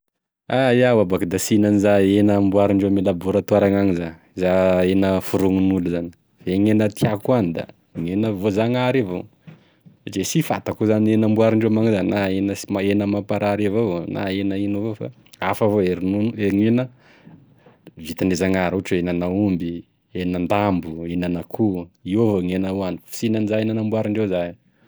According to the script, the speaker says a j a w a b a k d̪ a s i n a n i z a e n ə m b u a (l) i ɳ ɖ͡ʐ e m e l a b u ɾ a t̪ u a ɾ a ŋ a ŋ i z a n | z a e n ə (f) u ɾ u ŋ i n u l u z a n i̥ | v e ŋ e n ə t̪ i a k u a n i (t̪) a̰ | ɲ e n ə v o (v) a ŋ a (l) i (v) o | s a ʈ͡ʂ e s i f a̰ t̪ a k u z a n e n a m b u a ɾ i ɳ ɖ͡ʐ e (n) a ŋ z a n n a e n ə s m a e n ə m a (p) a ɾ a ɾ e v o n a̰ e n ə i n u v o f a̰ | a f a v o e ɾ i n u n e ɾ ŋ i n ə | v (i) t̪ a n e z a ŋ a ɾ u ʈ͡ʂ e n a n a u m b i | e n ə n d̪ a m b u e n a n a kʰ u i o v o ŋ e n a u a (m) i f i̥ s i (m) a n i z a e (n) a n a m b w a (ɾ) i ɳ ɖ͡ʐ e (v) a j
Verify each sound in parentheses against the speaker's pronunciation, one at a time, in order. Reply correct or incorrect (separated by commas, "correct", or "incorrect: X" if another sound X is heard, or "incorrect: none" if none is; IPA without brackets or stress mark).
incorrect: ɾ, correct, incorrect: d̪, incorrect: z, incorrect: ɾ, correct, incorrect: m, correct, correct, incorrect: n, incorrect: n, correct, correct, incorrect: z